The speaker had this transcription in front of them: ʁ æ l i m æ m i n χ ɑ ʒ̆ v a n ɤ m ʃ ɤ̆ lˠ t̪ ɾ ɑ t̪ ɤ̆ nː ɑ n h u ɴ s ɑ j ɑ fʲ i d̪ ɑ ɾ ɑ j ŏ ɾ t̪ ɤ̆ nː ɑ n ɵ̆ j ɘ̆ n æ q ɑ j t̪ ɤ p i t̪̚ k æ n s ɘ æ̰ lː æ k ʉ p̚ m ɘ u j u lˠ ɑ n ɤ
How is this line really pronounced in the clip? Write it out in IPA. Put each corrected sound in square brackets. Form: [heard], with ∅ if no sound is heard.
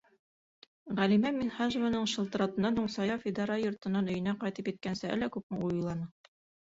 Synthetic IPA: ʁ æ l i m æ m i n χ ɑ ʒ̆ v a n ɤ [ɴ] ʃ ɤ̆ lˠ t̪ ɾ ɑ t̪ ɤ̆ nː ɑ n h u ɴ s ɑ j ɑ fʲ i d̪ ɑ ɾ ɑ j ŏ ɾ t̪ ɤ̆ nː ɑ n ɵ̆ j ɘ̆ n æ q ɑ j t̪ ɤ p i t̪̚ k æ n s ɘ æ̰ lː æ k ʉ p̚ m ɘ u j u lˠ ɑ n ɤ